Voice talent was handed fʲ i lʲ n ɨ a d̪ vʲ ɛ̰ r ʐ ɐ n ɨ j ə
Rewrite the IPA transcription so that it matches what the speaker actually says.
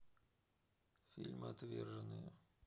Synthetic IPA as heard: fʲ i lʲ m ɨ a t̪ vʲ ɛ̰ r ʐ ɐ n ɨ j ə